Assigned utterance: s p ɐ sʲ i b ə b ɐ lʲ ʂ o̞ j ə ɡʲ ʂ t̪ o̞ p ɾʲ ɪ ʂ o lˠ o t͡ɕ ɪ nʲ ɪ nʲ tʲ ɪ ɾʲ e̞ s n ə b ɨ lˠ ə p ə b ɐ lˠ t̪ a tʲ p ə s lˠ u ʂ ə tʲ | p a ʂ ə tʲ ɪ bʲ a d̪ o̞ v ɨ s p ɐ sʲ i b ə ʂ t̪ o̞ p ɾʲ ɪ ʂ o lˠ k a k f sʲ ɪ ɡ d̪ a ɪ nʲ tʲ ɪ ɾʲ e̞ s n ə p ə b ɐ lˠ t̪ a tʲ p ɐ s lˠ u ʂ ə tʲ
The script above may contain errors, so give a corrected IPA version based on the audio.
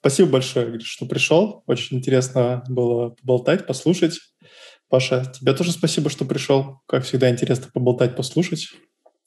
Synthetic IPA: s p ɐ sʲ i b ə b ɐ lʲ ʂ o̞ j ə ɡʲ ʂ t̪ o̞ p ɾʲ ɪ ʂ o lˠ o t͡ɕ ɪ nʲ ɪ nʲ tʲ ɪ ɾʲ e̞ s n ə b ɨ lˠ ə p ə b ɐ lˠ t̪ a tʲ p ɐ s lˠ u ʂ ə tʲ | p a ʂ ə tʲ ɪ bʲ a t̪ o̞ ʐ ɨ s p ɐ sʲ i b ə ʂ t̪ o̞ p ɾʲ ɪ ʂ o lˠ k a k f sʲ ɪ ɡ d̪ a ɪ nʲ tʲ ɪ ɾʲ e̞ s n ə p ə b ɐ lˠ t̪ a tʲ p ɐ s lˠ u ʂ ə tʲ